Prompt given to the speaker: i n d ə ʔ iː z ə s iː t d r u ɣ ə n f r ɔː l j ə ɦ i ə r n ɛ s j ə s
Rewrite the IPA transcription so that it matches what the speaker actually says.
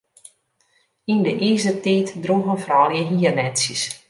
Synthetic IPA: i n d ə ʔ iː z ə t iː t d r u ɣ ə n f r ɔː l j ə ɦ i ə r n ɛ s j ə s